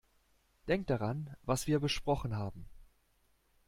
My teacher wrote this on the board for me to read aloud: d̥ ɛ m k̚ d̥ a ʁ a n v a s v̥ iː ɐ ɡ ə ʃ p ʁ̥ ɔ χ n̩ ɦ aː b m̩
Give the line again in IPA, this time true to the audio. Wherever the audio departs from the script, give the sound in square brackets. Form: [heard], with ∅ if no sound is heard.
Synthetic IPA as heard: d̥ ɛ [ŋ] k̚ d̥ a ʁ a n v a s v̥ iː ɐ [b] ə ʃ p ʁ̥ ɔ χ n̩ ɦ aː b m̩